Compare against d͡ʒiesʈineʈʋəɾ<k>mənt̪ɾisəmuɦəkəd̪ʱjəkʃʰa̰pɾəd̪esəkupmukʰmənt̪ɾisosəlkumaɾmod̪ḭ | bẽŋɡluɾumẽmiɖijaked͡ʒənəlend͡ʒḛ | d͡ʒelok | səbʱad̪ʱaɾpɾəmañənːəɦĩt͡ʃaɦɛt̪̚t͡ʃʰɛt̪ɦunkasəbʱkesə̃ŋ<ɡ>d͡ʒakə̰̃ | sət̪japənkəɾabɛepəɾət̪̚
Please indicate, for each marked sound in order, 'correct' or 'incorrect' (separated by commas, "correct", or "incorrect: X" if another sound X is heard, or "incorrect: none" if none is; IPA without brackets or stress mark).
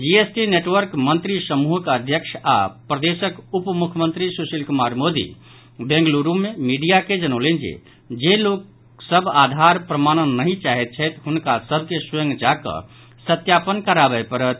correct, correct